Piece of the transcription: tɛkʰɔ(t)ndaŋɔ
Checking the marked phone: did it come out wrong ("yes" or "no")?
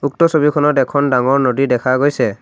yes